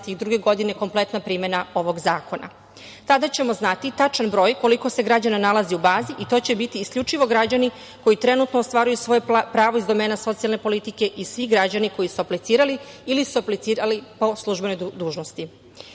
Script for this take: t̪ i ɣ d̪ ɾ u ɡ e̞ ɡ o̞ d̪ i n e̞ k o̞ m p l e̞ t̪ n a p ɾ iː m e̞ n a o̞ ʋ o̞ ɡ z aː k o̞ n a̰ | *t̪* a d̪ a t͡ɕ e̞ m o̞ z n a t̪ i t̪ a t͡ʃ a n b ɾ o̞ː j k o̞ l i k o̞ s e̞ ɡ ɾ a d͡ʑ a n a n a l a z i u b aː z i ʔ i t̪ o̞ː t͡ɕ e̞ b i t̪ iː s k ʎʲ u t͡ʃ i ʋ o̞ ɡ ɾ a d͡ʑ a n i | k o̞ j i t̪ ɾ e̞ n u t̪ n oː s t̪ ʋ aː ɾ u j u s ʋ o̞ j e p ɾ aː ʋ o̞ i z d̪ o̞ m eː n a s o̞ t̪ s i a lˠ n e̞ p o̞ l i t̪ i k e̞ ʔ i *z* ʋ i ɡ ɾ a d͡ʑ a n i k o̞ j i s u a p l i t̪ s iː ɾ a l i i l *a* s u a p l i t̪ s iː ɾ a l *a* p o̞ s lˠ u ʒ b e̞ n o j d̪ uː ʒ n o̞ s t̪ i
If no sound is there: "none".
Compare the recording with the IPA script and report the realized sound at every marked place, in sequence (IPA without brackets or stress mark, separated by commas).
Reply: t̪, s, i, i